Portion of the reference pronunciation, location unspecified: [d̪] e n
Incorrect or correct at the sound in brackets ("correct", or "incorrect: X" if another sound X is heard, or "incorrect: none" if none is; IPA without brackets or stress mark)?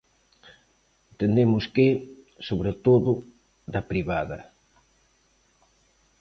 incorrect: t̪